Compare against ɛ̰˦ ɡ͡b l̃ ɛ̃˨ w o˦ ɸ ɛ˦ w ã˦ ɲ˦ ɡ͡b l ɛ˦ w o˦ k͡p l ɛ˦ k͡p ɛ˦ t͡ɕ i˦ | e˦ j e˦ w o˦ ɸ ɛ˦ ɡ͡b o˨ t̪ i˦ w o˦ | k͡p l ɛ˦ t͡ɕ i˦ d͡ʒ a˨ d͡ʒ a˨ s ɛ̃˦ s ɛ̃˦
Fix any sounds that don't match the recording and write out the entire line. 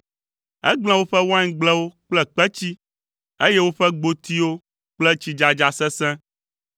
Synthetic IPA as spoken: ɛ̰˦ ɡ͡b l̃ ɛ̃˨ w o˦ ɸ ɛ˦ w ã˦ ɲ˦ ɡ͡b l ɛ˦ w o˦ k͡p l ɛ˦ k͡p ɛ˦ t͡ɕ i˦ | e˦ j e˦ w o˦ ɸ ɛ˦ ɡ͡b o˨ t̪ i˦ w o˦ | k͡p l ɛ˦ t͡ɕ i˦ d͡ʒ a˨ d͡ʒ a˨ s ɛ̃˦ s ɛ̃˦